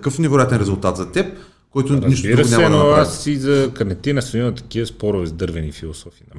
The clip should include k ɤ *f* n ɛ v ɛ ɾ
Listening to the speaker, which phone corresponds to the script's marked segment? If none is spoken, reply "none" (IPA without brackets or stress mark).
f